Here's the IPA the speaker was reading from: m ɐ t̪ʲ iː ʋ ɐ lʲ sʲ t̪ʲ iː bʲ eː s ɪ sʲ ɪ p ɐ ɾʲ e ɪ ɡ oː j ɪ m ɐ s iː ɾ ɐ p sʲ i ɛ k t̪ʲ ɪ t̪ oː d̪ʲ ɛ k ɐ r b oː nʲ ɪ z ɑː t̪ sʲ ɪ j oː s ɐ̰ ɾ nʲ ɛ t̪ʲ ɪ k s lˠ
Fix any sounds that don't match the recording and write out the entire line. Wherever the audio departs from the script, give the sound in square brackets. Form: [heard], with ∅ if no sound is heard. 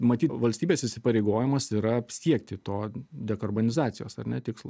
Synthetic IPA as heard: m ɐ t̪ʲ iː ʋ ɐ lʲ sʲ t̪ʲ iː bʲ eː s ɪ sʲ ɪ p ɐ ɾʲ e ɪ ɡ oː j ɪ m ɐ s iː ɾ ɐ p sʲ i ɛ k t̪ʲ ɪ t̪ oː d̪ʲ ɛ k ɐ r b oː nʲ ɪ z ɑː t̪ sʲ ɪ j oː s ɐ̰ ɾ nʲ ɛ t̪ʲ ɪ k s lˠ